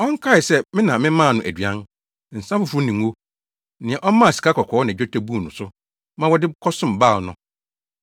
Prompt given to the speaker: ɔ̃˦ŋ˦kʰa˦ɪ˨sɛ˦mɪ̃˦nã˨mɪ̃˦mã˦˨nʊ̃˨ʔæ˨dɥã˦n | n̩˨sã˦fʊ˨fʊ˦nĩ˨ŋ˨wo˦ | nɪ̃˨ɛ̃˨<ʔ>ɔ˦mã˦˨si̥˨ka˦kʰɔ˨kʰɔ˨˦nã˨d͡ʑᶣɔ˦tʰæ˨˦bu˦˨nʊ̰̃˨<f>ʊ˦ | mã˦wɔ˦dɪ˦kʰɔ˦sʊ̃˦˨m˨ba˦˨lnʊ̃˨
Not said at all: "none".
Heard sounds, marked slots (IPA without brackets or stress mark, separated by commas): ʔ, s